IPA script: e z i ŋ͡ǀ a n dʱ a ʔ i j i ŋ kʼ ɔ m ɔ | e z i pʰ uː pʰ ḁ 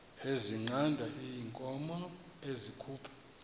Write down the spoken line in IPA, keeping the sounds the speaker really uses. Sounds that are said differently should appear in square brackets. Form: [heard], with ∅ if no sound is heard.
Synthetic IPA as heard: e z i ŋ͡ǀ a n dʱ a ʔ i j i ŋ kʼ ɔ m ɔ | e z i [kʰ] uː pʰ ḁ